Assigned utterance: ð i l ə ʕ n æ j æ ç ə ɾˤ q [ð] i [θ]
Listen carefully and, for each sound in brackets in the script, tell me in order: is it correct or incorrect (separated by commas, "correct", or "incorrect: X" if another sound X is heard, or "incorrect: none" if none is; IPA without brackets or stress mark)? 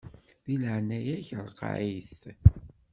incorrect: ʕ, correct